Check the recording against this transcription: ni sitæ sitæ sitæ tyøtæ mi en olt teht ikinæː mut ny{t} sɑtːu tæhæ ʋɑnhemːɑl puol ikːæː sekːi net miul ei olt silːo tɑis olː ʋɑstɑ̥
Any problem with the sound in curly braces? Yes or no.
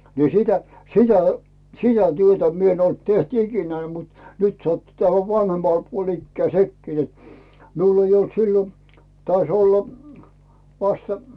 no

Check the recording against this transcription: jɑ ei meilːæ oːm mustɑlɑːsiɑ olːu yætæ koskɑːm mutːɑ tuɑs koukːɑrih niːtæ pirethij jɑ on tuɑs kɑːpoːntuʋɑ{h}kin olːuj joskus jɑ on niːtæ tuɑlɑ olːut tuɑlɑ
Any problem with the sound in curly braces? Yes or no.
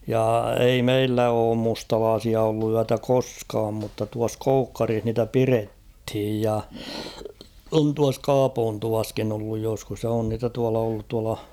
yes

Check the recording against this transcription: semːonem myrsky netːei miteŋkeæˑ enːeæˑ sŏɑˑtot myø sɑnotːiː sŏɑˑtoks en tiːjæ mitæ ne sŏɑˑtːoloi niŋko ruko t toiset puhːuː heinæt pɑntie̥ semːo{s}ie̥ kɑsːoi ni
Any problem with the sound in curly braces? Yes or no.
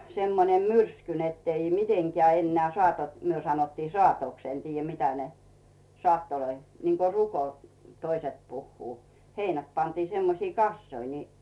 no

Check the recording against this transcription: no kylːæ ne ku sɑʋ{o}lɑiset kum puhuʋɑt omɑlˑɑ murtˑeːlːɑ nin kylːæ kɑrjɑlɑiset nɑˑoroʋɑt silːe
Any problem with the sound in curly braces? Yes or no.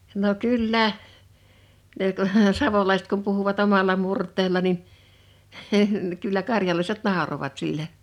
no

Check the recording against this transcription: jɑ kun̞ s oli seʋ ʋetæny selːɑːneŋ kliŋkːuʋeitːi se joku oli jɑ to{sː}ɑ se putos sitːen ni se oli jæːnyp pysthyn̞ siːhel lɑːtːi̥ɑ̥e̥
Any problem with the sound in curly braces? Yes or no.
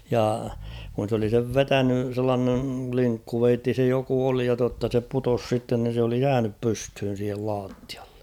yes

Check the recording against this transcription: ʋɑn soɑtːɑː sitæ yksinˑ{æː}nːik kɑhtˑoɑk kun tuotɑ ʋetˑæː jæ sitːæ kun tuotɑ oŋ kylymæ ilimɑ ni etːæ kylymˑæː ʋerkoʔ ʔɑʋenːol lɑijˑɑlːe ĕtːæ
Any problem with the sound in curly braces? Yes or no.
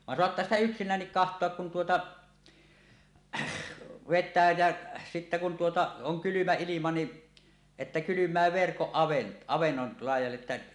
no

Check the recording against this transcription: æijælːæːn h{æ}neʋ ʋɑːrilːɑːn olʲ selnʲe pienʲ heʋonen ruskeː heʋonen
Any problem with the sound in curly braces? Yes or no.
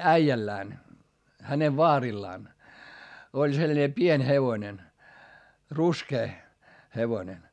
no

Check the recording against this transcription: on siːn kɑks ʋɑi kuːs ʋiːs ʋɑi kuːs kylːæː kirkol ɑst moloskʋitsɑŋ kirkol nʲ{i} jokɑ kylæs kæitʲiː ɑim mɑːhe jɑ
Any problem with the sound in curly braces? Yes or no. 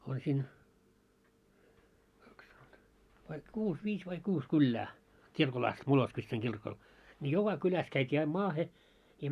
no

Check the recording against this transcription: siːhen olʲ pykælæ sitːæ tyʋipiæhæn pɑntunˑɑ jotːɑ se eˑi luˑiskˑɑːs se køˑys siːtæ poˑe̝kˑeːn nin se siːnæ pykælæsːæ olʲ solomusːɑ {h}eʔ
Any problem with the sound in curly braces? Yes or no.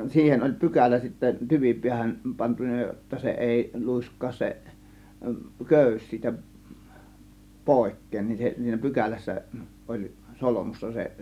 yes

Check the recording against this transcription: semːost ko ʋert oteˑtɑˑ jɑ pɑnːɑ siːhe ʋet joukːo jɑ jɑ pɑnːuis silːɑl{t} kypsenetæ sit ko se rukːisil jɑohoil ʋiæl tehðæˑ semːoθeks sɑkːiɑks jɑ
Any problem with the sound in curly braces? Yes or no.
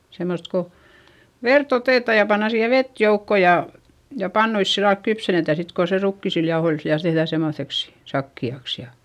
yes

